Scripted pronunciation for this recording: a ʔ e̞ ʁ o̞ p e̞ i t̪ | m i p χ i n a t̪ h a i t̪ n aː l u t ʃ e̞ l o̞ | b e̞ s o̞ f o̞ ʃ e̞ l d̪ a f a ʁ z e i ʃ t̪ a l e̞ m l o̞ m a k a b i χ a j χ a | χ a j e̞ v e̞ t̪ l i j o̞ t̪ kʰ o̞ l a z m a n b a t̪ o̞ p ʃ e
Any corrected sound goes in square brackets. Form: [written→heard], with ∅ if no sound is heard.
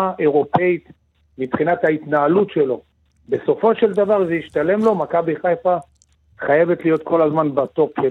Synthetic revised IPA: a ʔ e̞ ʁ o̞ p e̞ i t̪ | m i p χ i n a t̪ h a i t̪ n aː l u t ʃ e̞ l o̞ | b e̞ s o̞ f o̞ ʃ e̞ l d̪ a [f→v] a ʁ z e i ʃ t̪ a l e̞ m l o̞ m a k a b i χ a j [χ→f] a | χ a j e̞ v e̞ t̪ l i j o̞ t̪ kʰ o̞ l a z m a n b a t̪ o̞ p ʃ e